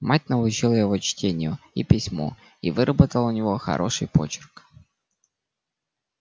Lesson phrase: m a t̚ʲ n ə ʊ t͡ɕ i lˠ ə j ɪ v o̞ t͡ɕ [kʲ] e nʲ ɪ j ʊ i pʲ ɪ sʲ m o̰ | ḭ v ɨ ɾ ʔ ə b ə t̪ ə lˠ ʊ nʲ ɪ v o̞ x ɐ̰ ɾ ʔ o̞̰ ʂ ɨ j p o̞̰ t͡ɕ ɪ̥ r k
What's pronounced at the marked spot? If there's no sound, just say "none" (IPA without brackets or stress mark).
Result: tʲ